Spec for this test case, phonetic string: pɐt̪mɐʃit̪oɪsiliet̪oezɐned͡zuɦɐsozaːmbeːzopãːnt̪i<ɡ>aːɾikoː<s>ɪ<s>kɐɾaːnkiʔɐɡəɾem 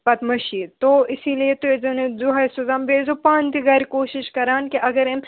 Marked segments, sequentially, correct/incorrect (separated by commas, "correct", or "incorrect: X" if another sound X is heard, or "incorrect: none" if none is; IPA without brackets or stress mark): correct, incorrect: ʃ, incorrect: ʃ